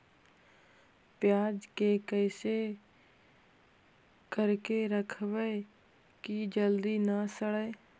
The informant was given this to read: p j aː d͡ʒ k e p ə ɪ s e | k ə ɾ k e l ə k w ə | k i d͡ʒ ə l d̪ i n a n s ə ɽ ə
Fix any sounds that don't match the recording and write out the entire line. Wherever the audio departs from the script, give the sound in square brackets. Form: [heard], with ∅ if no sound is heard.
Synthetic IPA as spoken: p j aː d͡ʒ k e [k] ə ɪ s e | k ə ɾ k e [ɾ] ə [kʰ] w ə | k i d͡ʒ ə l d̪ i n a [∅] s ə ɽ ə